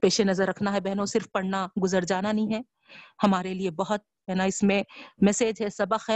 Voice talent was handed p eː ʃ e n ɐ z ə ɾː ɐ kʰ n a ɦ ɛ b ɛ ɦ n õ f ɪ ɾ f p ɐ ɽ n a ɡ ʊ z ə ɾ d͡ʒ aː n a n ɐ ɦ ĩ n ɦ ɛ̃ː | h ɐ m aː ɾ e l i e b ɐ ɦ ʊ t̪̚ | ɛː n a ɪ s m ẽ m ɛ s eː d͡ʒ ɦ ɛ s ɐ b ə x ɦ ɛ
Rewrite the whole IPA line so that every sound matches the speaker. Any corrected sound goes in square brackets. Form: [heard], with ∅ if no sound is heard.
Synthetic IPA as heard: p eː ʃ e n ɐ z ə ɾː ɐ kʰ n a ɦ ɛ b ɛ ɦ n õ [s] ɪ ɾ f p ɐ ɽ n a ɡ ʊ z ə ɾ d͡ʒ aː n a n ɐ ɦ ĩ [∅] ɦ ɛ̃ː | h ɐ m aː ɾ e l i e b ɐ ɦ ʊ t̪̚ | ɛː n a ɪ s m ẽ m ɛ s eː d͡ʒ ɦ ɛ s ɐ b ə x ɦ ɛ